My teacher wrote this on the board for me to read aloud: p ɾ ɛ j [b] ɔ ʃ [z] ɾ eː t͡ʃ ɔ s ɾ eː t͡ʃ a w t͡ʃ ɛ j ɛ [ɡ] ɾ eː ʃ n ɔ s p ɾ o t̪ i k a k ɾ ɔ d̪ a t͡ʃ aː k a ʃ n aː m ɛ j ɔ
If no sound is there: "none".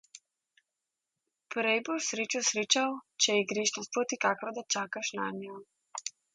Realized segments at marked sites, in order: b, s, ɡ

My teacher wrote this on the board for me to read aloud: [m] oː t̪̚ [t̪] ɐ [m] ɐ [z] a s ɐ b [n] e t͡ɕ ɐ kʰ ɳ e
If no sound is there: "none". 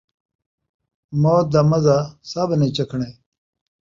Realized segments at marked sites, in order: m, d̪, m, z, n

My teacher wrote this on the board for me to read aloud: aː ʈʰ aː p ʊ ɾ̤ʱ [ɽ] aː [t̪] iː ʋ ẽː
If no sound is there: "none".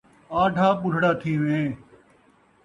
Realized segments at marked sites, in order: ɽ, t̪ʰ

